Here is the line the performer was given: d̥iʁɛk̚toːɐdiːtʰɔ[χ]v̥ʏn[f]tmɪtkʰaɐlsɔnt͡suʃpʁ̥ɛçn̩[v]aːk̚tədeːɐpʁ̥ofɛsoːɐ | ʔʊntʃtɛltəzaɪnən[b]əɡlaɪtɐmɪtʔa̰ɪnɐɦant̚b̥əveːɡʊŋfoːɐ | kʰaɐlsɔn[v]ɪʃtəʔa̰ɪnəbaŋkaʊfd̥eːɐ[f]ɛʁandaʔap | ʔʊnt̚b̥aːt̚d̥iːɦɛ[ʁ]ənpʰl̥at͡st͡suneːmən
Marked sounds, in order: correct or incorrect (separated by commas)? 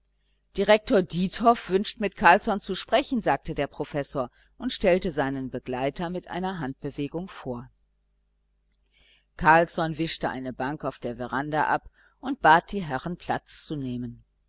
incorrect, incorrect, incorrect, correct, correct, incorrect, correct